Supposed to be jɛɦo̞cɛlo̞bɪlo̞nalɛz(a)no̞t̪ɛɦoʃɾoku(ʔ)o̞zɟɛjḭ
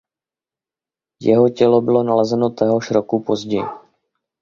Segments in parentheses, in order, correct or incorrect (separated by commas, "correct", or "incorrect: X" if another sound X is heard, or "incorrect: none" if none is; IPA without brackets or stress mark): incorrect: ɛ, incorrect: p